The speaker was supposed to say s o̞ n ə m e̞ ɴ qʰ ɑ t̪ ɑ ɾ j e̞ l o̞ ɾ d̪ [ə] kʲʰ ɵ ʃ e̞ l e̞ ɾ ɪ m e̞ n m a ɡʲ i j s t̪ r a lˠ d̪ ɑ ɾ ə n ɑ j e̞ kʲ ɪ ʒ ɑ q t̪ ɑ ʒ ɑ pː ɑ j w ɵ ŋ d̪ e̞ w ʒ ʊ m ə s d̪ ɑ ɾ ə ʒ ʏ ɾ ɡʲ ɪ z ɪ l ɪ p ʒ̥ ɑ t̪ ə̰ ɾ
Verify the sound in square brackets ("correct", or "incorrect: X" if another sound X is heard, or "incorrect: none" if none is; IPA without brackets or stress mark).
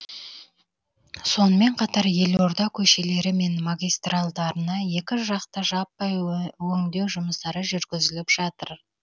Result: incorrect: ɑ